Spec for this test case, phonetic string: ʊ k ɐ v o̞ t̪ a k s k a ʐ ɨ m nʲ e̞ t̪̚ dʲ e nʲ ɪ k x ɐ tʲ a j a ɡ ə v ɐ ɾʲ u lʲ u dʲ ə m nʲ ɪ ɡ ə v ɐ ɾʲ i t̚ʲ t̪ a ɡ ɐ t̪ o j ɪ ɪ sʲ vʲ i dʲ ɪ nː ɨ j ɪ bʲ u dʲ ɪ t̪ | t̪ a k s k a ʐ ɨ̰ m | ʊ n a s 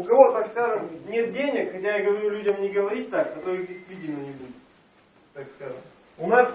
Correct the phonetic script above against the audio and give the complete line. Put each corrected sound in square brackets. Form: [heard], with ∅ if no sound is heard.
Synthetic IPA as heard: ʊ k ɐ v o̞ t̪ a k s k a ʐ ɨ m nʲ e̞ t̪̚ dʲ e nʲ ɪ k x ɐ tʲ a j a ɡ ə v ɐ ɾʲ u lʲ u dʲ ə m nʲ ɪ ɡ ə v ɐ ɾʲ i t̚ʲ t̪ a [k] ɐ t̪ o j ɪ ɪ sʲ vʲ i dʲ ɪ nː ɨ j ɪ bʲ u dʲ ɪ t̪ | t̪ a k s k a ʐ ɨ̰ m | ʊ n a s